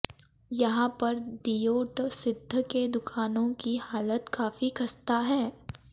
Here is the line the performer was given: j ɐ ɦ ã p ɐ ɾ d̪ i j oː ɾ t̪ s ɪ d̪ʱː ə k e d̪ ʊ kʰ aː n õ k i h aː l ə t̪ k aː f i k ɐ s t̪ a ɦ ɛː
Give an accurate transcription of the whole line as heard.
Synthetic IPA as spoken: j ɐ ɦ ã p ɐ ɾ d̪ i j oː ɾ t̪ s ɪ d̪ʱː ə k e d̪ ʊ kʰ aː n õ k i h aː l ə t̪ k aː f i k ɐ s t̪ a ɦ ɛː